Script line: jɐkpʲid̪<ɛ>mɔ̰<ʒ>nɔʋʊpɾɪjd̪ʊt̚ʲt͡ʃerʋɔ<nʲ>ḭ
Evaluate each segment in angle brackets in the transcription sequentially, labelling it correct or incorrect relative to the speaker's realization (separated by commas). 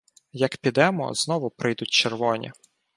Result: correct, incorrect, correct